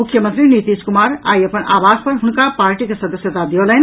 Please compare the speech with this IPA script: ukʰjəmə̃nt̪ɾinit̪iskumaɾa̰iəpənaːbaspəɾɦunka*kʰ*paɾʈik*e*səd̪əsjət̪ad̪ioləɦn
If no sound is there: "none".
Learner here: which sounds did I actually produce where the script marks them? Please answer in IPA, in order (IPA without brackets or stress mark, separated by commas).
none, e